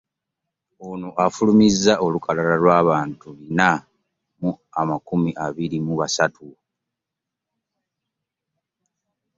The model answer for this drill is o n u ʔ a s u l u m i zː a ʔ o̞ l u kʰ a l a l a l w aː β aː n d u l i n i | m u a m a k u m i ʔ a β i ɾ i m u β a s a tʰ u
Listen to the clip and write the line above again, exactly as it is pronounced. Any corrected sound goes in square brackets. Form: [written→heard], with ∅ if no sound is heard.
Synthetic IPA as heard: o n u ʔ a [s→f] u l u m i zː a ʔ o̞ l u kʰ a l a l a l w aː β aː n [d→t] u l i n [i→a] | m u a m a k u m i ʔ a β i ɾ i m u β a s a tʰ u